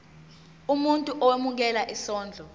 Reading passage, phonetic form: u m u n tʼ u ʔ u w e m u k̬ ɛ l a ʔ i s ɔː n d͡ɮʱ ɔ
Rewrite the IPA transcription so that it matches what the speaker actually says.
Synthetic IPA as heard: u m u n tʼ u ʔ ɔ w e m u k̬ ɛ l a ʔ i s ɔː n d͡ɮʱ ɔ